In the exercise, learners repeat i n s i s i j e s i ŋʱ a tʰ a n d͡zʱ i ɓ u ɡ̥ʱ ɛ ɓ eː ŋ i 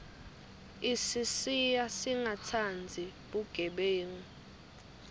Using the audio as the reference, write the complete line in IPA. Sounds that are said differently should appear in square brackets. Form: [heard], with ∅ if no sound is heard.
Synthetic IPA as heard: i [∅] s i s i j [a] s i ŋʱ a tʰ a n d͡zʱ i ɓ u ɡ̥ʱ ɛ ɓ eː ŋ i